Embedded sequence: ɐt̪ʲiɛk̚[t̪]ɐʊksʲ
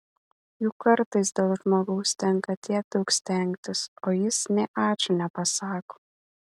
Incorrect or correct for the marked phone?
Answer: incorrect: d̪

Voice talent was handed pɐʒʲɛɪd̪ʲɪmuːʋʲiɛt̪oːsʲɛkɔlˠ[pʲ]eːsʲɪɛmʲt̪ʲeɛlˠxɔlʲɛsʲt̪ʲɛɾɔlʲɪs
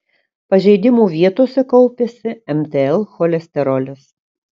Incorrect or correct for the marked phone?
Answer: correct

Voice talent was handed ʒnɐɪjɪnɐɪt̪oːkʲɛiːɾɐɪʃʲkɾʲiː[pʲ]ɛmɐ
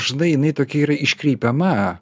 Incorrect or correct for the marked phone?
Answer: correct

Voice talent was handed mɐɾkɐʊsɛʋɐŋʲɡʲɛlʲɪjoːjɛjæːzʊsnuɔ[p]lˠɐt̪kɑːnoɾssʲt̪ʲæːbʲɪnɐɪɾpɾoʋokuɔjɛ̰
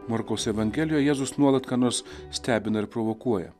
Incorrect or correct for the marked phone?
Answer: incorrect: none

